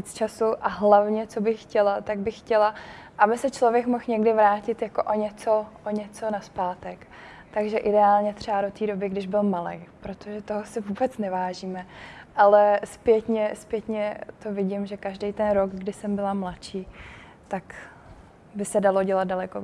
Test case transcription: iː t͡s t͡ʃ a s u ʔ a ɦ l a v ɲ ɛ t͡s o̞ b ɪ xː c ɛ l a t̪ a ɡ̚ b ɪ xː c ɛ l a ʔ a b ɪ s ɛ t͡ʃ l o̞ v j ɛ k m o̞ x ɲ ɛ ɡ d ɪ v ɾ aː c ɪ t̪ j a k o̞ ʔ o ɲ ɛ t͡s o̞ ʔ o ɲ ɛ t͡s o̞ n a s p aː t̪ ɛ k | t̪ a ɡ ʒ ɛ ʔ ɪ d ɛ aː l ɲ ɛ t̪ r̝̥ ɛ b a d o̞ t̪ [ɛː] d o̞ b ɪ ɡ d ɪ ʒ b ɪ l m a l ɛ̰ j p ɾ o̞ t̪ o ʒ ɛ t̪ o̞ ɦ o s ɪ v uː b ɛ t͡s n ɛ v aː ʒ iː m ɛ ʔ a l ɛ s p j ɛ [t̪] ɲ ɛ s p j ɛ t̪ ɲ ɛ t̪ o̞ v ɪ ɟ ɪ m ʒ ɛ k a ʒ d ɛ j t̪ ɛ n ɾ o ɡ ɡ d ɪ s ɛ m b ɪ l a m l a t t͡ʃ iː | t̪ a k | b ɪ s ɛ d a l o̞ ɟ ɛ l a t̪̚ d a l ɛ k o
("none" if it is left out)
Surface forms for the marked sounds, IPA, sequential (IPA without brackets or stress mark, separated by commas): iː, t̪